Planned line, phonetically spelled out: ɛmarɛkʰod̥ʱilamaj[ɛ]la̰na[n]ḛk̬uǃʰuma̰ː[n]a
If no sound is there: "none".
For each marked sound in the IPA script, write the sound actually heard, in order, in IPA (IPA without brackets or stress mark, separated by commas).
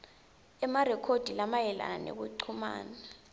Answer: ɛ, n, n